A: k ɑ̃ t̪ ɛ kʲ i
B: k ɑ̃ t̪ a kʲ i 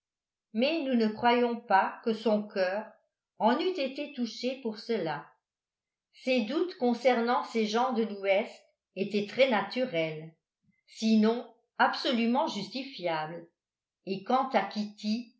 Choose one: B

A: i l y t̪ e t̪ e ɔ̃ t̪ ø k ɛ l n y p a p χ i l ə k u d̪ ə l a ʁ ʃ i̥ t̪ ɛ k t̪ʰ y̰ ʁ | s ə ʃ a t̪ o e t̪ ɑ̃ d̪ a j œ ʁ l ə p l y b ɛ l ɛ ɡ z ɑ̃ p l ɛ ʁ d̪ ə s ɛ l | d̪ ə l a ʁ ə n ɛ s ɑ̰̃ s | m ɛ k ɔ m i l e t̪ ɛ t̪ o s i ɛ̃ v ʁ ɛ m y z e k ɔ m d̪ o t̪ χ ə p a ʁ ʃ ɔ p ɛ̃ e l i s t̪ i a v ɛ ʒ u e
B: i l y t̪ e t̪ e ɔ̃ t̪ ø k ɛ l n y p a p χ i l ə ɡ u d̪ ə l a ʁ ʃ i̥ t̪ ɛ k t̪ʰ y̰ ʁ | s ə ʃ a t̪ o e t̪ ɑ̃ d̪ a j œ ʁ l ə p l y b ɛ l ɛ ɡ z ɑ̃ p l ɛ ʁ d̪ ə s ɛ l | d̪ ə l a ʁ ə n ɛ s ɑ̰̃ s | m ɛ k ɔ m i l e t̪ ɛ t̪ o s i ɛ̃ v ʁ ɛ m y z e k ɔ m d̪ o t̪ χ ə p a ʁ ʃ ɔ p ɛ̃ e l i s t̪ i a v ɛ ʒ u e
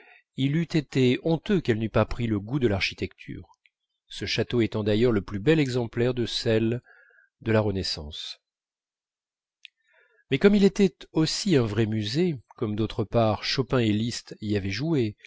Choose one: B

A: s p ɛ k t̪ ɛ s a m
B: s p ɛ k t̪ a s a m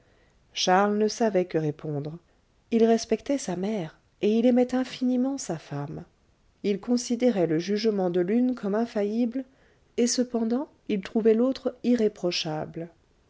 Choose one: A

